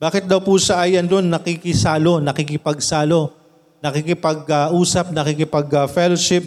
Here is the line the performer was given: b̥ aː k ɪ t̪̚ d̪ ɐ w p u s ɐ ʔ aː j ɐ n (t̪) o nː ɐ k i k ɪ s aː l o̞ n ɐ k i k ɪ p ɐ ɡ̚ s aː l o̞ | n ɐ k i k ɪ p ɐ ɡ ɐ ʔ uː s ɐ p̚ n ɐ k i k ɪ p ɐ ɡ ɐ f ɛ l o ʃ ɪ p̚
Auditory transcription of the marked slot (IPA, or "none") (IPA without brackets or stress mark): d̪